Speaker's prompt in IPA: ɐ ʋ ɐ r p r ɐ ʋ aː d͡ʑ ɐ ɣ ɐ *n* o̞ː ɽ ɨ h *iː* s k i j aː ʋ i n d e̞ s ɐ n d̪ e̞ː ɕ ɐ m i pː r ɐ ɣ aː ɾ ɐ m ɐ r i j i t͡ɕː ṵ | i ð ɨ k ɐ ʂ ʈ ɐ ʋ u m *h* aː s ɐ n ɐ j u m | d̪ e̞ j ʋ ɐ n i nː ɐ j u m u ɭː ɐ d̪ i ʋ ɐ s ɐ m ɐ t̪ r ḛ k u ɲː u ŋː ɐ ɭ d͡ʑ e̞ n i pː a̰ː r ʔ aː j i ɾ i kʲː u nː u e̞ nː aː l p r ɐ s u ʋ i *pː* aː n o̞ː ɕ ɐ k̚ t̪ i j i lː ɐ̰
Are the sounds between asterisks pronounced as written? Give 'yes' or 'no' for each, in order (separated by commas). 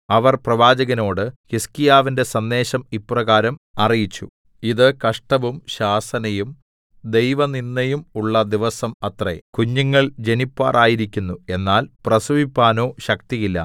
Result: yes, no, no, yes